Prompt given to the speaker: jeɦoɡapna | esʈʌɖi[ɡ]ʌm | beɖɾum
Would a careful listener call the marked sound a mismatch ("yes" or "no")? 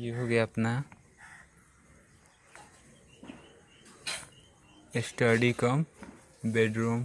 yes